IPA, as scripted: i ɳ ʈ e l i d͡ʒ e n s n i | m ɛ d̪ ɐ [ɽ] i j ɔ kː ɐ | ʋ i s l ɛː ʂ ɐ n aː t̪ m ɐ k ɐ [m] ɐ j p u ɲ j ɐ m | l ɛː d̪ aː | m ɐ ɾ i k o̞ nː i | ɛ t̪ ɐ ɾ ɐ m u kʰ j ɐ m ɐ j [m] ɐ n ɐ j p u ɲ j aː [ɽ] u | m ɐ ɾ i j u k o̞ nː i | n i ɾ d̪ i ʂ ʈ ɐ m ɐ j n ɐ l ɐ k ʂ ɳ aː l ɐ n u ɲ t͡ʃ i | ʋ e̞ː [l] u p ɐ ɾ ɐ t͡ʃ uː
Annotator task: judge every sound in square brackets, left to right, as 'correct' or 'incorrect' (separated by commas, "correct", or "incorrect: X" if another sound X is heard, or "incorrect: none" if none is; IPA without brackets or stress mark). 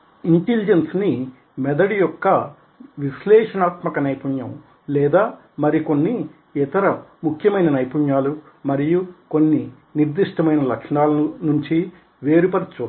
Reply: correct, incorrect: n, incorrect: n, incorrect: l, incorrect: ɾ